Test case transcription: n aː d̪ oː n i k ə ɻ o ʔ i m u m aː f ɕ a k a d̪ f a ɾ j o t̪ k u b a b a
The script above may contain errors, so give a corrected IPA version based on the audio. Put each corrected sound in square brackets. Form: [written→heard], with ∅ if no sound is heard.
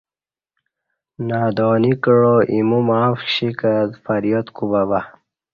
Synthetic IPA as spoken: n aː d̪ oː n i k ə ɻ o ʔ i m u m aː f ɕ [a→i] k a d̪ f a ɾ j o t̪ k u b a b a